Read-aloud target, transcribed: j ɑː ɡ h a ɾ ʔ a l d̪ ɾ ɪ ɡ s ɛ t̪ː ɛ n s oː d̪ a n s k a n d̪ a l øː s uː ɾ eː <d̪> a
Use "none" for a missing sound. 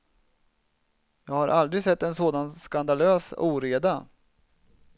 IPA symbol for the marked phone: d̪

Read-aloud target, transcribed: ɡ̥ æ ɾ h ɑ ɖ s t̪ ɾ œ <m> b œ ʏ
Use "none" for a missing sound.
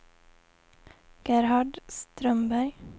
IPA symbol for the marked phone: m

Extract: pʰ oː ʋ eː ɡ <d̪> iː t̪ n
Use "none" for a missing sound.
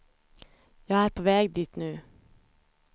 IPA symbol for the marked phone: d̪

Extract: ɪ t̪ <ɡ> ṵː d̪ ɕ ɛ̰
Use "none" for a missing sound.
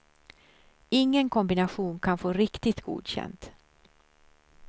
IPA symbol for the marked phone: ɡ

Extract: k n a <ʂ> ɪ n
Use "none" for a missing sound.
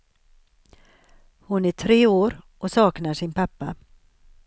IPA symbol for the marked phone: ʂ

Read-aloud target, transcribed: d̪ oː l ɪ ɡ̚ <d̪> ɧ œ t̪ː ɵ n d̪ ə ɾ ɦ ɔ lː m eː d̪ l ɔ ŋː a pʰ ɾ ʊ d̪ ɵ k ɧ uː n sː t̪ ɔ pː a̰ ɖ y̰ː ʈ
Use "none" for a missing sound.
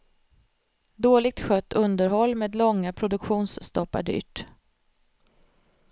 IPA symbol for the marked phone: t̪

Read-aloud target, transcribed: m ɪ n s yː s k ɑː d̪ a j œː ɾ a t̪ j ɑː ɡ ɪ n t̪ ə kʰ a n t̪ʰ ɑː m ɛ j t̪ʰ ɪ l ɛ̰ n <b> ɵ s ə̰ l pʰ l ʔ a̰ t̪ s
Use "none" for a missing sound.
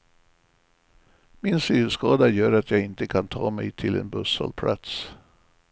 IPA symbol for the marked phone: b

